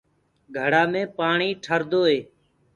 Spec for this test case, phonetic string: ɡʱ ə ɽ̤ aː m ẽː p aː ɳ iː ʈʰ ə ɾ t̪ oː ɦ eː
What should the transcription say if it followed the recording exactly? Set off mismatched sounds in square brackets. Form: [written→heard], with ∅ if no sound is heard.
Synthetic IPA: ɡʱ ə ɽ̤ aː m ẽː p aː ɳ iː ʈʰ ə ɾ [t̪→d̪] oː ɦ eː